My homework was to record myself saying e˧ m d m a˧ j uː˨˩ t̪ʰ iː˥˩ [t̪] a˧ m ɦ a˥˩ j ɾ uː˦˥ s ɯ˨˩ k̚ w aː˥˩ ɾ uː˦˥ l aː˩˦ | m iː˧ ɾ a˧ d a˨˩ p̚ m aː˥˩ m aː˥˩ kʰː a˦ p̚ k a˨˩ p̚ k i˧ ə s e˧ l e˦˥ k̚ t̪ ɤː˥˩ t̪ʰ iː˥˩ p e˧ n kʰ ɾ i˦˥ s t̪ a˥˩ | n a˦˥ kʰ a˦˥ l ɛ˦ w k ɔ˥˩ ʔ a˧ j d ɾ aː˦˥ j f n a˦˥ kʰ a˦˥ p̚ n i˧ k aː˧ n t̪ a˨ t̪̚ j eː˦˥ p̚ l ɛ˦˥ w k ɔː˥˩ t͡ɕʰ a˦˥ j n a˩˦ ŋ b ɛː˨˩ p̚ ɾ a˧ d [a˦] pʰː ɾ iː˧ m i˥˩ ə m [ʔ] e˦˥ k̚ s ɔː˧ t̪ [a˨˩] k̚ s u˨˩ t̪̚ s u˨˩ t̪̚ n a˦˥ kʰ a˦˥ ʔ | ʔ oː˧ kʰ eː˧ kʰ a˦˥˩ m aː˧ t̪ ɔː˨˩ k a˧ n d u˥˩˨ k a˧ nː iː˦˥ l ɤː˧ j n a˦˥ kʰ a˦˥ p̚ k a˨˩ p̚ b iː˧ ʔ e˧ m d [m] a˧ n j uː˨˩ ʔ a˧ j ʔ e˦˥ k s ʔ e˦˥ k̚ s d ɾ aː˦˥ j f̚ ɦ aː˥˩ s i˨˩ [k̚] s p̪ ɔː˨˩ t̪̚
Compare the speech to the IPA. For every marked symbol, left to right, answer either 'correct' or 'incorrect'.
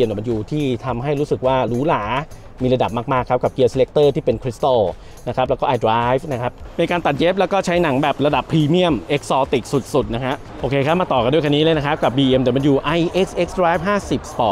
incorrect, incorrect, correct, incorrect, correct, incorrect

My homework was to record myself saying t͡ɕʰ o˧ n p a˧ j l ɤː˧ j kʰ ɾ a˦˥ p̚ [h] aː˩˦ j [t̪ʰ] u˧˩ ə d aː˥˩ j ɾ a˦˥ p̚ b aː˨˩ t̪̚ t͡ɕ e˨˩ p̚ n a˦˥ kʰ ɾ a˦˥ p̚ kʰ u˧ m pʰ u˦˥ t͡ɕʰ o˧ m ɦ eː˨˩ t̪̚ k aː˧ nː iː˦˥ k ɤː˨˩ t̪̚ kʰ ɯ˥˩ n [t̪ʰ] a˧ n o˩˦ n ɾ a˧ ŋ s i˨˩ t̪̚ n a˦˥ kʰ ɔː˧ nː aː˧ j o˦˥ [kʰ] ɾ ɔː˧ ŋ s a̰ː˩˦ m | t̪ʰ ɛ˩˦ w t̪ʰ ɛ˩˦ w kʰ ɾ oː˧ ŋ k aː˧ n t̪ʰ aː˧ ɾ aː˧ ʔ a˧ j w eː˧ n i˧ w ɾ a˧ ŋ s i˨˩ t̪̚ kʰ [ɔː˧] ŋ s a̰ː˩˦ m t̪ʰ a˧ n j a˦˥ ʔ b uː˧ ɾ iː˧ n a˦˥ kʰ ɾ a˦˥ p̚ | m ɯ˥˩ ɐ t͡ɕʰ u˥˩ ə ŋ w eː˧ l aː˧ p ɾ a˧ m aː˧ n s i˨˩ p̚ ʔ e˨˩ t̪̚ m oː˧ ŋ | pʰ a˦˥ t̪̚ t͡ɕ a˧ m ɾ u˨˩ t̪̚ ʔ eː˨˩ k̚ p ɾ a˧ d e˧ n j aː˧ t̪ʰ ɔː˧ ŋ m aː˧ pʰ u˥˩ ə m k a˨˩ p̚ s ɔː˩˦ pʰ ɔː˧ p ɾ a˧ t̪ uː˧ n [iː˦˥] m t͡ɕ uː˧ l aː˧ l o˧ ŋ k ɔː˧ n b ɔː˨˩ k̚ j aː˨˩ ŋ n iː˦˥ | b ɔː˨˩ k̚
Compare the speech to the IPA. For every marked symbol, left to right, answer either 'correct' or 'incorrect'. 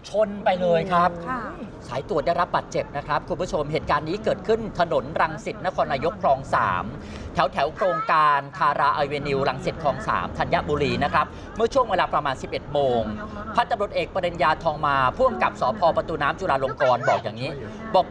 incorrect, incorrect, correct, correct, correct, incorrect

